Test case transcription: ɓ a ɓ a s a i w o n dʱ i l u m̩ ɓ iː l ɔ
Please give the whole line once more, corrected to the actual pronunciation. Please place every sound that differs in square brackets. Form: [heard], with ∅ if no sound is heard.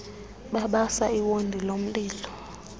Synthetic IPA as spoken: ɓ a ɓ a s a i w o n dʱ i l [o] m̩ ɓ iː l ɔ